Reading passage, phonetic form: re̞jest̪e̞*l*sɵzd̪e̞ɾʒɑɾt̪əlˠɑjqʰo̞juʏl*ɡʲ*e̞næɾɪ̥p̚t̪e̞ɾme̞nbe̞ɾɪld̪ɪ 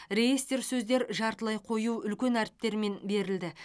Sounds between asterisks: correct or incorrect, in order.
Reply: incorrect: ɾ, incorrect: kʲ

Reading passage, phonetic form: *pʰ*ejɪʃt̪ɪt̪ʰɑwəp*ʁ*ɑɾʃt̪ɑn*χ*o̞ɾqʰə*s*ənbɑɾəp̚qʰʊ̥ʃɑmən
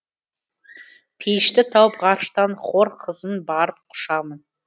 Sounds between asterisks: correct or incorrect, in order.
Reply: correct, correct, correct, incorrect: z

